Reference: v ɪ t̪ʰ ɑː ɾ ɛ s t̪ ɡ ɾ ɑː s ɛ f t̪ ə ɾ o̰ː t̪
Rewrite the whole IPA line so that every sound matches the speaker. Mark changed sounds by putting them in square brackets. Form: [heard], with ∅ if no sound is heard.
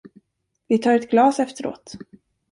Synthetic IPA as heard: v ɪ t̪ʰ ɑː ɾ ɛ [∅] t̪ ɡ [l] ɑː s ɛ f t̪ ə ɾ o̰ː t̪